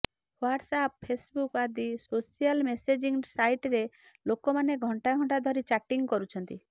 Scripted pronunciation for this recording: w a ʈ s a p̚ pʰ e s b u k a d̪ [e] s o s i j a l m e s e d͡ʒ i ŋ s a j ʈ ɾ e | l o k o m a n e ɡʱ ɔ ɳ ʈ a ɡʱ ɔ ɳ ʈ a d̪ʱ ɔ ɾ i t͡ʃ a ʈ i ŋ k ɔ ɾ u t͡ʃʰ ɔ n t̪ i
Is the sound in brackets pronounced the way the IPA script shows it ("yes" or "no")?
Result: no